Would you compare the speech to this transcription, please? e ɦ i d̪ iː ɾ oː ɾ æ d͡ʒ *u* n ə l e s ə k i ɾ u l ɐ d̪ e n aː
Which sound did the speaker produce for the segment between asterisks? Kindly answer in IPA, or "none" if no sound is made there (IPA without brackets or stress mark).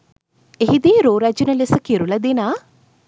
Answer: u